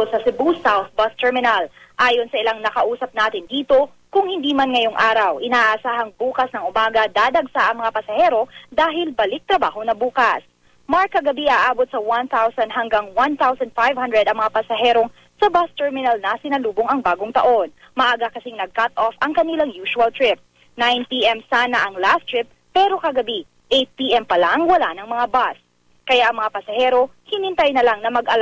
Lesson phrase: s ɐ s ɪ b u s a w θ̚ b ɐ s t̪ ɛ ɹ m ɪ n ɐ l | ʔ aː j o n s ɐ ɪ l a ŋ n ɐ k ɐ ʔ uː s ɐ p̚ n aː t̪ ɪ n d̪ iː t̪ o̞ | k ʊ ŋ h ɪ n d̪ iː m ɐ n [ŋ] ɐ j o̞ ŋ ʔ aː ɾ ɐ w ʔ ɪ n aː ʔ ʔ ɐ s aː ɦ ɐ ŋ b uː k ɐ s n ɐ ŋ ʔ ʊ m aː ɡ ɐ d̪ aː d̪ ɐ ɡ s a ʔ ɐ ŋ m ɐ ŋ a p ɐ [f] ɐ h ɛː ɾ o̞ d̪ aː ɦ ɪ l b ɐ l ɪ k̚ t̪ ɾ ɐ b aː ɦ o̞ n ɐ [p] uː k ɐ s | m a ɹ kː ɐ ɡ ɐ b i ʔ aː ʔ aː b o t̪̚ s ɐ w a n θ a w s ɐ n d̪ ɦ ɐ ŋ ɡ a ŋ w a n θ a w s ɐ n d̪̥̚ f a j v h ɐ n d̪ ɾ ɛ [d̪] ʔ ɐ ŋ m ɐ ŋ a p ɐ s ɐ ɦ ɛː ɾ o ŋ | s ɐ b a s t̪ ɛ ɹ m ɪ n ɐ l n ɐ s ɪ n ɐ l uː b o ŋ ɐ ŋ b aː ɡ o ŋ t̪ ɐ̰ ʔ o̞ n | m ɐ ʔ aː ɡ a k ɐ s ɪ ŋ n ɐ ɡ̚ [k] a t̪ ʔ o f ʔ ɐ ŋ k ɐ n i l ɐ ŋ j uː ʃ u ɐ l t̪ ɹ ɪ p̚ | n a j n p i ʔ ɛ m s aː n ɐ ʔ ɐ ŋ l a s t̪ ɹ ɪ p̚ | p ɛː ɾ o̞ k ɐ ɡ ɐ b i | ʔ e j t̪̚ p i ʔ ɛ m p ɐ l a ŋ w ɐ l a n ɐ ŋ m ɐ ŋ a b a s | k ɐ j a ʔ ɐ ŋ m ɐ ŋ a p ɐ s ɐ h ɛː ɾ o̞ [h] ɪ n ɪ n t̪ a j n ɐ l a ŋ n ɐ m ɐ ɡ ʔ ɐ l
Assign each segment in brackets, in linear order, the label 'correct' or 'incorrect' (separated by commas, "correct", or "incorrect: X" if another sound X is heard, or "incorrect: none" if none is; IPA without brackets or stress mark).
correct, incorrect: s, incorrect: b, correct, correct, correct